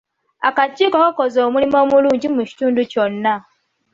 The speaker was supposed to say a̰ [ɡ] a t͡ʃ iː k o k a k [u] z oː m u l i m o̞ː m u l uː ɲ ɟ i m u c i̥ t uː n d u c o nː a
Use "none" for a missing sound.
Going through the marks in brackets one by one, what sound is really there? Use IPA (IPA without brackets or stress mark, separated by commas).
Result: k, o